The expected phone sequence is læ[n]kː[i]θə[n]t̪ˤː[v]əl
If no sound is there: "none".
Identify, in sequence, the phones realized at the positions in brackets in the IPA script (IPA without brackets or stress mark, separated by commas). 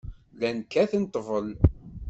n, æ, n, v